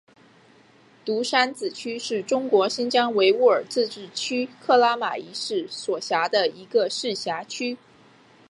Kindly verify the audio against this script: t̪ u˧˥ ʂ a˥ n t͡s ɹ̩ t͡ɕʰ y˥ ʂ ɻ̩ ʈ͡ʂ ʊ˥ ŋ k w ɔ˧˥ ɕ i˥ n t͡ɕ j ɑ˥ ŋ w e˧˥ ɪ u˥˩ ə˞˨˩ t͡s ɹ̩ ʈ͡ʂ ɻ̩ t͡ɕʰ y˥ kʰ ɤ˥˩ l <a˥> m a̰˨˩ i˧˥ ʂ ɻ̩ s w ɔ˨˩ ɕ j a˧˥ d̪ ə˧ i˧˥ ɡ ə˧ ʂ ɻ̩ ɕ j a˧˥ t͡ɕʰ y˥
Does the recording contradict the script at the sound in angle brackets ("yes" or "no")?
no